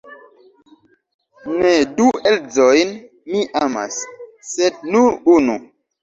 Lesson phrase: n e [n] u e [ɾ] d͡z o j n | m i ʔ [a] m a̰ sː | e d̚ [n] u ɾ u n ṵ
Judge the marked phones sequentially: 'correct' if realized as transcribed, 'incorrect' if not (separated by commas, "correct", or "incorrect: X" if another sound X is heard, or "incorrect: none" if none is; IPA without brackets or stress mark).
incorrect: d, incorrect: l, correct, correct